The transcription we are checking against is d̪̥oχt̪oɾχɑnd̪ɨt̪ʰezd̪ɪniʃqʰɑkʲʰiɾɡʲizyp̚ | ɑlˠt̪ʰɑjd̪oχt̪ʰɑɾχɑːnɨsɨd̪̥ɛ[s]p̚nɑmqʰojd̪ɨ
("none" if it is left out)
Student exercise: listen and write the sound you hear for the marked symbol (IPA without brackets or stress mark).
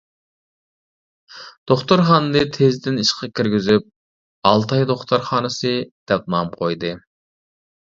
none